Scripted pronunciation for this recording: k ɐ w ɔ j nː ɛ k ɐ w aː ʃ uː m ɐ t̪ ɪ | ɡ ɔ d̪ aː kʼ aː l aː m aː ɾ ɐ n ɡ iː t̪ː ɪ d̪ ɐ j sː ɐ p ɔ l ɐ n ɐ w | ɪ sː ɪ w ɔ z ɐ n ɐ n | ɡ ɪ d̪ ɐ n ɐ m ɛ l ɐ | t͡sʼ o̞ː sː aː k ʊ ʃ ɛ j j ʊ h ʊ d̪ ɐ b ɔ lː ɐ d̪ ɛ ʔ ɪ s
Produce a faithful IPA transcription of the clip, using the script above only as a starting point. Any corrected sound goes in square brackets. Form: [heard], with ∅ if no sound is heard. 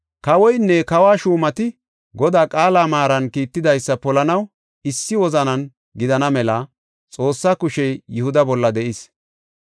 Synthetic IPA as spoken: k ɐ w ɔ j nː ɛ k ɐ w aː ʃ uː m ɐ t̪ ɪ | ɡ ɔ d̪ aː kʼ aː l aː m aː ɾ ɐ n [k] iː t̪ː ɪ d̪ ɐ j sː ɐ p ɔ l ɐ n ɐ w | ɪ sː ɪ w ɔ z ɐ n ɐ n | ɡ ɪ d̪ ɐ n ɐ m ɛ l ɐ | t͡sʼ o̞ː sː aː k ʊ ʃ ɛ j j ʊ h ʊ d̪ ɐ b ɔ lː ɐ d̪ ɛ ʔ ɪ s